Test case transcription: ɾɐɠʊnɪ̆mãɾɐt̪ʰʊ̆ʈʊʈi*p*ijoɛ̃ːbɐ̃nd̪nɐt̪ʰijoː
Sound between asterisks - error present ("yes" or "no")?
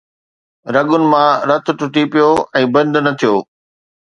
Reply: no